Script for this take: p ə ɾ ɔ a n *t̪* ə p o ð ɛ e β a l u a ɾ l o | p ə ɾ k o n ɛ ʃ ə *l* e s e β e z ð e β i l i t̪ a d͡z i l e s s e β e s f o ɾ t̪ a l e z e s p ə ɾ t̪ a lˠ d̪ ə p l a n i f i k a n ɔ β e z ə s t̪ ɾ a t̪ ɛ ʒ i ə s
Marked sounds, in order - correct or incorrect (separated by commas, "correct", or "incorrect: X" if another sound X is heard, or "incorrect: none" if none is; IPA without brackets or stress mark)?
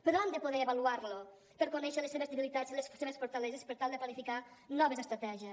incorrect: d̪, correct